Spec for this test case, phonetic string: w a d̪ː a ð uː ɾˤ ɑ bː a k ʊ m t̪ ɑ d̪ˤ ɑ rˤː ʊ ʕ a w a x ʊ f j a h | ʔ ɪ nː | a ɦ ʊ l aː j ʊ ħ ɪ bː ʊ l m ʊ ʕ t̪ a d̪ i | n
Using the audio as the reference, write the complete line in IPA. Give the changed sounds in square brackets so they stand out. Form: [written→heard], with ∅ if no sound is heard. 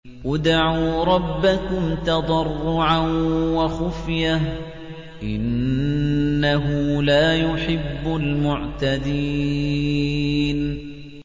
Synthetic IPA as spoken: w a [d̪ː→d̪] a [ð→ʕ] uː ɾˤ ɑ bː a k ʊ m t̪ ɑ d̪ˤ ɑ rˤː ʊ ʕ a w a x ʊ f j a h | ʔ ɪ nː | a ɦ ʊ l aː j ʊ ħ ɪ bː ʊ l m ʊ ʕ t̪ a d̪ i | n